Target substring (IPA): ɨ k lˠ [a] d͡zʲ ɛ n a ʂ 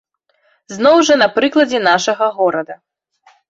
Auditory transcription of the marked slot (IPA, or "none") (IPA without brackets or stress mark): ɐ